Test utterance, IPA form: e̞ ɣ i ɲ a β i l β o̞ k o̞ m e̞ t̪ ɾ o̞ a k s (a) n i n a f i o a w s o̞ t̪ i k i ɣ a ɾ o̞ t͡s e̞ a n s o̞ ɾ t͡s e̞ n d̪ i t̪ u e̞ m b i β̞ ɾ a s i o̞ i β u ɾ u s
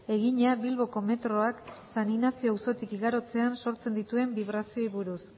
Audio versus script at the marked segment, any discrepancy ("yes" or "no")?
no